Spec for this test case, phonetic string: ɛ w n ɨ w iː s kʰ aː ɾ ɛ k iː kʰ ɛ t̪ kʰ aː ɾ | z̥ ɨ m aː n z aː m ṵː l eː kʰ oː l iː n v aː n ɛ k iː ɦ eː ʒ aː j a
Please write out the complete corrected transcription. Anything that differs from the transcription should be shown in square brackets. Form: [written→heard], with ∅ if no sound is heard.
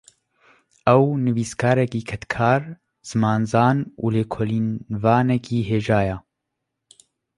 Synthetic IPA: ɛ w n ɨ [w→v] iː s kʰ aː ɾ ɛ k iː kʰ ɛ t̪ kʰ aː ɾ | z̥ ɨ m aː n z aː [m→n] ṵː l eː kʰ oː l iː n v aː n ɛ k iː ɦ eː ʒ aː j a